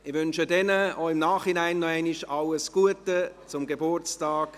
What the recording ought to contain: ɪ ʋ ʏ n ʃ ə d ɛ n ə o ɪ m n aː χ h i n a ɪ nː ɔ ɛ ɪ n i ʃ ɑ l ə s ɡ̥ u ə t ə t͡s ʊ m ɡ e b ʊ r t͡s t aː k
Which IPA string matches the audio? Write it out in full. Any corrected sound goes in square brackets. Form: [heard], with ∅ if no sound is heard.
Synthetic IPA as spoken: ɪ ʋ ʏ n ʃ ə d ɛ n ə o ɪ m n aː χ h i n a ɪ nː ɔ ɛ ɪ n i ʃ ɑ l ə s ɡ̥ u ə t ə t͡s ʊ m ɡ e b ʊ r t͡s t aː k